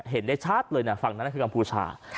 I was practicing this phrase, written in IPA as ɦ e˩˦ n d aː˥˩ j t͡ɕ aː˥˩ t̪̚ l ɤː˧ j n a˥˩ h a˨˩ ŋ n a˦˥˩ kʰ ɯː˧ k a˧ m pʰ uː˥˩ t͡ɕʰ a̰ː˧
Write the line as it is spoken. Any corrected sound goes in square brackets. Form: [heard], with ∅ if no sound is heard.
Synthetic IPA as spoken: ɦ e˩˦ n d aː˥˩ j [t͡ɕʰ] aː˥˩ t̪̚ l ɤː˧ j n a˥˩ [f] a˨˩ ŋ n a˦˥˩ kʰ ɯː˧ k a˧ m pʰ [uː˧] t͡ɕʰ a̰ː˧